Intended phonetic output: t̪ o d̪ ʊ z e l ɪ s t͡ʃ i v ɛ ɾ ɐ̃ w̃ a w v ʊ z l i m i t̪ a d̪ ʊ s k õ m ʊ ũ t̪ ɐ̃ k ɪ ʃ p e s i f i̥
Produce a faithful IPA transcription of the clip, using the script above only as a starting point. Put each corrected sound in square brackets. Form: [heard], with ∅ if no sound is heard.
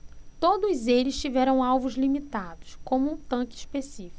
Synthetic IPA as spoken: t̪ o d̪ ʊ z e l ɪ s t͡ʃ i v ɛ ɾ ɐ̃ w̃ a w v ʊ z l i m i t̪ a d̪ ʊ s k õ m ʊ ũ t̪ ɐ̃ k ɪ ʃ p e s i f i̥